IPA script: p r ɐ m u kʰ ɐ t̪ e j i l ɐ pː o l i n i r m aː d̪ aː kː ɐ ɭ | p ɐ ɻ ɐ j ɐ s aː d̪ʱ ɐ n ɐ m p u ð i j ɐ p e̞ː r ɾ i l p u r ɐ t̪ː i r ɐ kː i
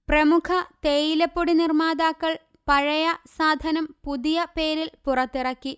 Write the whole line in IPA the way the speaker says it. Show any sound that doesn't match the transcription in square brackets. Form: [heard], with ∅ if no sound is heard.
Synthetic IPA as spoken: p r ɐ m u kʰ ɐ t̪ e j i l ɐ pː o [ɽ] i n i r m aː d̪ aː kː ɐ ɭ | p ɐ ɻ ɐ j ɐ s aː d̪ʱ ɐ n ɐ m p u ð i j ɐ p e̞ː [∅] ɾ i l p u r ɐ t̪ː i r ɐ kː i